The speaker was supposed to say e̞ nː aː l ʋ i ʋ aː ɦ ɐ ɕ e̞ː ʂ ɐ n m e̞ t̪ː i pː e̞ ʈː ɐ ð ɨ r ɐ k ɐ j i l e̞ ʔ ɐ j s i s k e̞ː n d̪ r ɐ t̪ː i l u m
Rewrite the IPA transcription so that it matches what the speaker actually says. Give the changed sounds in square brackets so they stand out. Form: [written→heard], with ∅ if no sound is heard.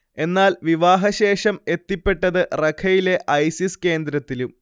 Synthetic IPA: e̞ nː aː l ʋ i ʋ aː ɦ ɐ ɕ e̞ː ʂ ɐ [n→∅] m e̞ t̪ː i pː e̞ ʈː ɐ ð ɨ r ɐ [k→kʰ] ɐ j i l e̞ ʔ ɐ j s i s k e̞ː n d̪ [r→ɾ] ɐ t̪ː i l u m